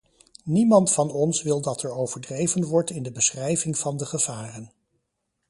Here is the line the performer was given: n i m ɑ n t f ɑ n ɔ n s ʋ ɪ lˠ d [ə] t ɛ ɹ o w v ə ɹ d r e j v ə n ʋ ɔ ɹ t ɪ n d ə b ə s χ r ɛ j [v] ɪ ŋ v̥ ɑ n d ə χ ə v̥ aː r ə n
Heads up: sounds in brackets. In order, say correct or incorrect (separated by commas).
incorrect, correct